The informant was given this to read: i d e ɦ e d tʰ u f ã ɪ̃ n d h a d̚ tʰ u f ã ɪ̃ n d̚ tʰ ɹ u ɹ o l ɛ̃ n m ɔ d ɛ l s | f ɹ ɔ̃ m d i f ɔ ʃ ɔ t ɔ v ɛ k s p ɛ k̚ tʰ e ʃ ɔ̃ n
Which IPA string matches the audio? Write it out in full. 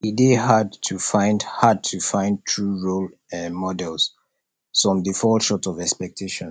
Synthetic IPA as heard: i d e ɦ a d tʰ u f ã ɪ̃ n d h a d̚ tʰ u f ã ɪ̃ n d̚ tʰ ɹ u ɹ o l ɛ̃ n m ɔ d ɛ l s | f ɹ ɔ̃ m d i f ɔ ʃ ɔ t ɔ v ɛ k s p ɛ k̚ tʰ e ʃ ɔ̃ n

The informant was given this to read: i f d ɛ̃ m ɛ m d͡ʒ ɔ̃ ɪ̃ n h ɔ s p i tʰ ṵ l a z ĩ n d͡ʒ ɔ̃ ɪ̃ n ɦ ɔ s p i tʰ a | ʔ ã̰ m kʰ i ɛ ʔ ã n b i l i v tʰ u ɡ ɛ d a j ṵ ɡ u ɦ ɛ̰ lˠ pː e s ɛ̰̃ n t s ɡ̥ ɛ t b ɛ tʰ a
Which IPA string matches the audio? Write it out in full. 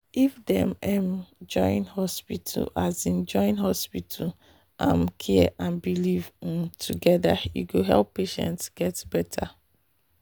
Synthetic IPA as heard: i f d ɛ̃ m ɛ m d͡ʒ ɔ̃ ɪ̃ n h ɔ s p i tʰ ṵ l a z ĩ n d͡ʒ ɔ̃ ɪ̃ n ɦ ɔ s p i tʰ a | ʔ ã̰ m kʰ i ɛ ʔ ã n b i l i v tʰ u ɡ ɛ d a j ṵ ɡ o ɦ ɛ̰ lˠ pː e ʃ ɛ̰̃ n t s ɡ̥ ɛ t b ɛ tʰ a

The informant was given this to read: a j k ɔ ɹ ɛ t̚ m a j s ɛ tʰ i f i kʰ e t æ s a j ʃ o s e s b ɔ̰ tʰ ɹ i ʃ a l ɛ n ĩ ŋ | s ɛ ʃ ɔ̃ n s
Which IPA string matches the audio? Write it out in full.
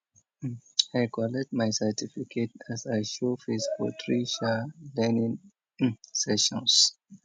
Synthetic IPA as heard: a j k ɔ l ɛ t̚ m a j s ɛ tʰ i f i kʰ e t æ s a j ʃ o f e s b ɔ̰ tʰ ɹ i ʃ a l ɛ n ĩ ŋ | s ɛ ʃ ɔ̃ n s

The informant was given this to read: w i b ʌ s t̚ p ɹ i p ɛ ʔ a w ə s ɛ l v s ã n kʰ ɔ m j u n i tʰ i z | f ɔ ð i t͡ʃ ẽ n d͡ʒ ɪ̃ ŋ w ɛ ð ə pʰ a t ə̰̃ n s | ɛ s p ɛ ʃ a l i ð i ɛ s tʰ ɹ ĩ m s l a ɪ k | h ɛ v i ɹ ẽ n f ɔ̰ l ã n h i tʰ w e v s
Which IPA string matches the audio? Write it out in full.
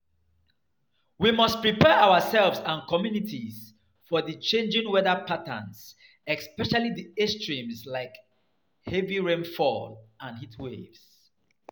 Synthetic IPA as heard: w i m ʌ s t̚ p ɹ i p ɛ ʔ a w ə s ɛ l v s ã n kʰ ɔ m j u n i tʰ i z | f ɔ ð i t͡ʃ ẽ n d͡ʒ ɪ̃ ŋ w ɛ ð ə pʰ a t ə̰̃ n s | ɛ s p ɛ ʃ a l i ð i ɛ s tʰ ɹ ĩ m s l a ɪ k | h ɛ v i ɹ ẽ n f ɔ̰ l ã n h i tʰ w e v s

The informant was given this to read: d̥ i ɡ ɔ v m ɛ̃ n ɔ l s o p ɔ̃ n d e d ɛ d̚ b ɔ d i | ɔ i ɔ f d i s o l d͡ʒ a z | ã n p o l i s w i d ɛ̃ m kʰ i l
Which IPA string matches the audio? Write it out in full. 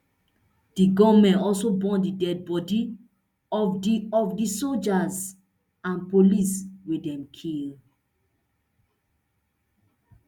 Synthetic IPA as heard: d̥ i ɡ ɔ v m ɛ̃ n ɔ l s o b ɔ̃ n d i d ɛ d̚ b ɔ d i | ɔ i ɔ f d i s o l d͡ʒ a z | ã n p o l i s w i d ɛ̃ m kʰ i l

